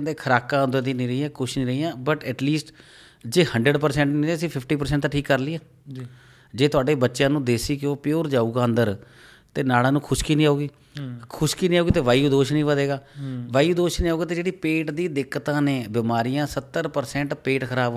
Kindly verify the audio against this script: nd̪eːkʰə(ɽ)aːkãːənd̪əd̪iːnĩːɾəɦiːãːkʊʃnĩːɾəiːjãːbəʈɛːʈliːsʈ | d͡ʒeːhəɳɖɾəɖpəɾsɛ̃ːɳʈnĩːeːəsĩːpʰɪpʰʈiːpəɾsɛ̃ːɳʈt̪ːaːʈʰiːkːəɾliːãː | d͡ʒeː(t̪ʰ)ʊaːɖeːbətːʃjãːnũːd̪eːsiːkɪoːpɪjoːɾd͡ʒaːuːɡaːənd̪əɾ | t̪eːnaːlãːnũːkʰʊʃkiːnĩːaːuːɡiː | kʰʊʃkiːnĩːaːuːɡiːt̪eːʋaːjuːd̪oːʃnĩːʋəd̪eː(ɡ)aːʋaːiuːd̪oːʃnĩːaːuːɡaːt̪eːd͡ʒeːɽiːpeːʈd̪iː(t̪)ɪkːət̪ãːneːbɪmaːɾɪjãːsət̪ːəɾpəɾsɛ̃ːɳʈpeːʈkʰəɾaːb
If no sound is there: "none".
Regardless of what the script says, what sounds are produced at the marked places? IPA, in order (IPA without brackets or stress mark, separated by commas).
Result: ɾ, t̪, ɡ, d̪